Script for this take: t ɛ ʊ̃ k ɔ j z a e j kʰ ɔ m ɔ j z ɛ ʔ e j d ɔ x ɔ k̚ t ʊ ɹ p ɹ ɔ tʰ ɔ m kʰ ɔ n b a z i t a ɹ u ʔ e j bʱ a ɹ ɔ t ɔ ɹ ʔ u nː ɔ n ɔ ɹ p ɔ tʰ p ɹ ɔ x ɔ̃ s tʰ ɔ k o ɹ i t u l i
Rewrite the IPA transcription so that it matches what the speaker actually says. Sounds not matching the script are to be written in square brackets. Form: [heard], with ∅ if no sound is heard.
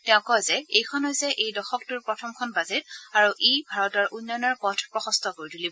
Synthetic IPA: t ɛ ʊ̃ k ɔ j z [ɛ] e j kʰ ɔ [n] ɔ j z ɛ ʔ e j d ɔ x ɔ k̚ t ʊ ɹ p ɹ ɔ tʰ ɔ m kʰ ɔ n b a z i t a ɹ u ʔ e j bʱ a ɹ ɔ t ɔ ɹ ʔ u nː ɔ n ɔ ɹ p ɔ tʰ p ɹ ɔ x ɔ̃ s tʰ ɔ k o ɹ i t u l i